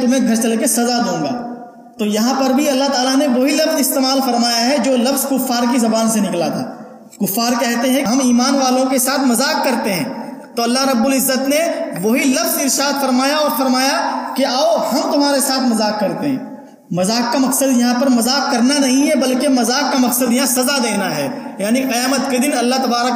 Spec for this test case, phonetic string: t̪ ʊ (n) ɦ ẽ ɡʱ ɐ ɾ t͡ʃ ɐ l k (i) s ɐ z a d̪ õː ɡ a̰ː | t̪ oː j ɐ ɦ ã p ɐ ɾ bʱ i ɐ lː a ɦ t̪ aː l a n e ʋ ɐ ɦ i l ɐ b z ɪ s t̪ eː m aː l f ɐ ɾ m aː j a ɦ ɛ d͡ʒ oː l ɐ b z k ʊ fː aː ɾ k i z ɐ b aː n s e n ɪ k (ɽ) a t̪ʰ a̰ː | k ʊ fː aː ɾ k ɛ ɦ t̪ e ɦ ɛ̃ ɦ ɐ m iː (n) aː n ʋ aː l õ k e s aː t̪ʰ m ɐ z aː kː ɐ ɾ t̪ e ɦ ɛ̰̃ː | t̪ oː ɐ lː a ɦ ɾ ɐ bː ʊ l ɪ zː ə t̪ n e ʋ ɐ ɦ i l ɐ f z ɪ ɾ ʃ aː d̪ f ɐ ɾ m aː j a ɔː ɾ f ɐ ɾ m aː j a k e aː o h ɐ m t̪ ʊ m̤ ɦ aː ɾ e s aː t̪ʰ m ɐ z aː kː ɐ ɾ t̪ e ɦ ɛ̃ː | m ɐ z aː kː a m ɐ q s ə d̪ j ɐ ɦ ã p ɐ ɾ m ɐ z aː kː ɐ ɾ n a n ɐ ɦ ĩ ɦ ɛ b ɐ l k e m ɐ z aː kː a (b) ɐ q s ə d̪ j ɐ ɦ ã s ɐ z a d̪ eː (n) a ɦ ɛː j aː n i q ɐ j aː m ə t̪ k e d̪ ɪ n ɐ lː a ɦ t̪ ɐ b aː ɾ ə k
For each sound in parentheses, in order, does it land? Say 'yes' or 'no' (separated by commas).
no, no, no, no, no, yes